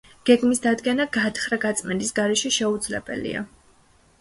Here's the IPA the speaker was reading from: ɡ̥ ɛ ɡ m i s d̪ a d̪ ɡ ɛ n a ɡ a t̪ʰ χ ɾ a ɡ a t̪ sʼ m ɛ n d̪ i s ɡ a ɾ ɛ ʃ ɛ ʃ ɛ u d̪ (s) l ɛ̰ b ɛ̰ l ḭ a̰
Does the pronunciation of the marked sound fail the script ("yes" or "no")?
yes